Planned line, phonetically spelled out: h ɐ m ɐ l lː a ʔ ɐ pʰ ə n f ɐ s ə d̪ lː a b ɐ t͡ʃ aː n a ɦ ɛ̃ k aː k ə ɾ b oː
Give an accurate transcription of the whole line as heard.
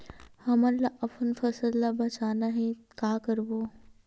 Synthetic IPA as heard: h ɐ m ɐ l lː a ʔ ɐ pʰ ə n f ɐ s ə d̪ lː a b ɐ t͡ʃ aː n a ɦ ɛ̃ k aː k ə ɾ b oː